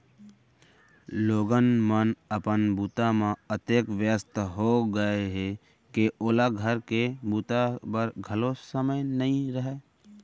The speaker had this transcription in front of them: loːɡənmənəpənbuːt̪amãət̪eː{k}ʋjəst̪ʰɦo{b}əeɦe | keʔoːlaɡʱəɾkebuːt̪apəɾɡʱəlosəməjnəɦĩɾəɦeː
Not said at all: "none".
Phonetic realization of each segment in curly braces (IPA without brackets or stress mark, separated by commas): k, ɡ